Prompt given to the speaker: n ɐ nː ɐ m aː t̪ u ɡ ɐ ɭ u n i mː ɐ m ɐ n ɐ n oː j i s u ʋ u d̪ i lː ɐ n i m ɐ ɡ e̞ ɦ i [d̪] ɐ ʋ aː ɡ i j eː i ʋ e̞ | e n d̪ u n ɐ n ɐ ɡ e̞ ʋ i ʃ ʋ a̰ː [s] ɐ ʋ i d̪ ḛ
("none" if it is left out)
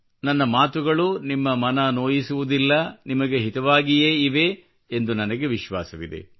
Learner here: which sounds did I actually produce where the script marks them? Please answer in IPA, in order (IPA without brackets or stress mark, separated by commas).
t̪, s